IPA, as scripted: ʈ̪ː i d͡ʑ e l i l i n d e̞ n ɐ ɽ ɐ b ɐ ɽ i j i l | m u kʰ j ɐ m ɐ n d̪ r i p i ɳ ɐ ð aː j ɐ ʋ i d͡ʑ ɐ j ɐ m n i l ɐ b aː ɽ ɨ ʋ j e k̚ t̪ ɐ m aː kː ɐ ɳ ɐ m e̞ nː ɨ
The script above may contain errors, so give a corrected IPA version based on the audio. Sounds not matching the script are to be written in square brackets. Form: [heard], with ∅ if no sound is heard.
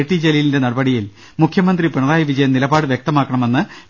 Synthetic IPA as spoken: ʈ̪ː i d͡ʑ e l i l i n d e̞ n ɐ ɽ ɐ b ɐ ɽ i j i l | m u kʰ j ɐ m ɐ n d̪ r i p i ɳ ɐ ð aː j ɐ ʋ i d͡ʑ ɐ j ɐ m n i l ɐ b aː ɽ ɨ ʋ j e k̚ t̪ ɐ m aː kː ɐ ɳ ɐ m e̞ nː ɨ